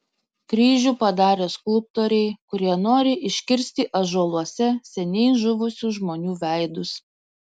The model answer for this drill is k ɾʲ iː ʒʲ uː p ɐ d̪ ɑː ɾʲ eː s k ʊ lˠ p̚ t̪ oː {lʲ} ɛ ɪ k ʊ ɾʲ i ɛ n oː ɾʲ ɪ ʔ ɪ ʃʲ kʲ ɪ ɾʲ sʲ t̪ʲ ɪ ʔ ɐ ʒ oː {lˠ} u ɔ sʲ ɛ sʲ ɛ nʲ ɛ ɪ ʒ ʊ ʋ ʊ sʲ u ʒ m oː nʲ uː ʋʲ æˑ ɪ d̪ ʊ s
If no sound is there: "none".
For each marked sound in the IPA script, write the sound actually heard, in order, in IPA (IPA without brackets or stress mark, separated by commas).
ɾʲ, lˠ